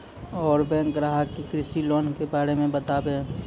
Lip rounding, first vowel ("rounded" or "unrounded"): rounded